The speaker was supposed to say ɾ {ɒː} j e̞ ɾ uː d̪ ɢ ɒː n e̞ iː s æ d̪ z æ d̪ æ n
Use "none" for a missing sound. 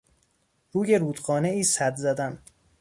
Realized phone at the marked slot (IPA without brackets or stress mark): uː